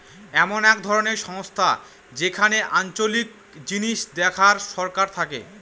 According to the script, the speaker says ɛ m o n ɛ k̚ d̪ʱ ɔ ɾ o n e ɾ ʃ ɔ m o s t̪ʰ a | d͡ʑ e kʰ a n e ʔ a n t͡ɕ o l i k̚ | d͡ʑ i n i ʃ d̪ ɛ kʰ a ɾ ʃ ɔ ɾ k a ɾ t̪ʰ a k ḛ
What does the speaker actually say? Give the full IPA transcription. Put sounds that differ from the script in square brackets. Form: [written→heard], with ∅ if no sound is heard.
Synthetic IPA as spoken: ɛ m o n ɛ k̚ d̪ʱ ɔ ɾ o n e ɾ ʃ ɔ [m→ŋ] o s t̪ʰ a | d͡ʑ e kʰ a n e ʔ a n t͡ɕ o l i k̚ | d͡ʑ i n i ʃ d̪ ɛ kʰ a ɾ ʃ ɔ ɾ k a ɾ t̪ʰ a k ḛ